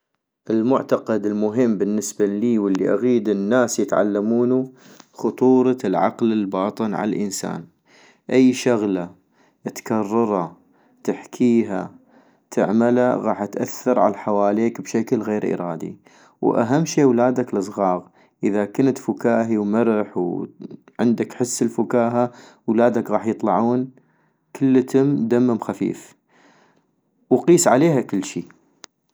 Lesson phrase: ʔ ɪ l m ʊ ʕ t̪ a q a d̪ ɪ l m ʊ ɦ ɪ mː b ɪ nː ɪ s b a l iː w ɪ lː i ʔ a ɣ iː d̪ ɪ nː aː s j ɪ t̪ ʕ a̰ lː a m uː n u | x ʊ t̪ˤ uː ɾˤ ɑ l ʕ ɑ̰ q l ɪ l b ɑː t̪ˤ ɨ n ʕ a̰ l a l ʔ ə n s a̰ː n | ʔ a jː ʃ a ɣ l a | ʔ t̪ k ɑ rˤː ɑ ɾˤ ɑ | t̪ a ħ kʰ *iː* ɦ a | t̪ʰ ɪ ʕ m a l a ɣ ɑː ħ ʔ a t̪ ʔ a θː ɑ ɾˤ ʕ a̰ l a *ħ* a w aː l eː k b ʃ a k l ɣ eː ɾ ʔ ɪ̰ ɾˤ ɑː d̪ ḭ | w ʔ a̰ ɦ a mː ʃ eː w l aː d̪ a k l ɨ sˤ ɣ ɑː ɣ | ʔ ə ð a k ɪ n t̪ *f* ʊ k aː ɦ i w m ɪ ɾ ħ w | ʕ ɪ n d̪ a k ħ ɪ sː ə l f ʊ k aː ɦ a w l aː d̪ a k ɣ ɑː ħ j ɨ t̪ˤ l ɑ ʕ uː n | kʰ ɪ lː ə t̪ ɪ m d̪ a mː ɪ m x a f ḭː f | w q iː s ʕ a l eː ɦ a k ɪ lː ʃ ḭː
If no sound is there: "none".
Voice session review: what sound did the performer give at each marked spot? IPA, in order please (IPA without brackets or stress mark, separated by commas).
iː, ħ, f